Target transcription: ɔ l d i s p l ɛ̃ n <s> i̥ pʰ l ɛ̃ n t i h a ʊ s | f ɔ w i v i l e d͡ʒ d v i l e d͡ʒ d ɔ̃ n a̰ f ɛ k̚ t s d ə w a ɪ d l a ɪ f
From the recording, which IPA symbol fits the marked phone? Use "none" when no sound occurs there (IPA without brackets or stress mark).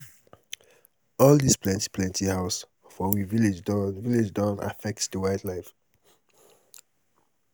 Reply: t